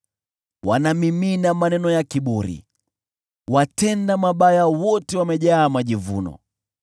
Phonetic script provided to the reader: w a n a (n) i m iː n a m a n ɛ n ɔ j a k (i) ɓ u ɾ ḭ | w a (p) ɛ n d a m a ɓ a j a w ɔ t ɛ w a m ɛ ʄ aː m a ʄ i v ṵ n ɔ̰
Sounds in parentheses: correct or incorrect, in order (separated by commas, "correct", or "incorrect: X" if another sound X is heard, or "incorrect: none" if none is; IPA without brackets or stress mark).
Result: incorrect: m, correct, incorrect: t